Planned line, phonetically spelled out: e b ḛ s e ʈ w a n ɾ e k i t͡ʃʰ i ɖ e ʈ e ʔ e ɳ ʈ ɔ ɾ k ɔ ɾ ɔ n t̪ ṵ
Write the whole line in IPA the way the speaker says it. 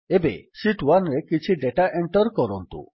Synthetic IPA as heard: e b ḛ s i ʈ w a n ɾ e k i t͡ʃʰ i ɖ e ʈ a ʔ e ɳ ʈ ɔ ɾ k ɔ ɾ ɔ n t̪ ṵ